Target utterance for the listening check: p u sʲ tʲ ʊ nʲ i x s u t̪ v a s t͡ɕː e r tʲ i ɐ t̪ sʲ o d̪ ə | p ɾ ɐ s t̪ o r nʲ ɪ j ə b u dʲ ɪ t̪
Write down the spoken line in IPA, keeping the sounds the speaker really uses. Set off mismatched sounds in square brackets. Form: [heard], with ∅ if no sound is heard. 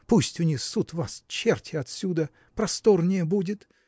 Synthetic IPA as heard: p u sʲ tʲ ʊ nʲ i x s u t̪ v a s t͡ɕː e r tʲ [ɪ] ɐ t̪ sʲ [u] d̪ ə | p ɾ ɐ s t̪ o r nʲ ɪ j ə b u dʲ ɪ t̪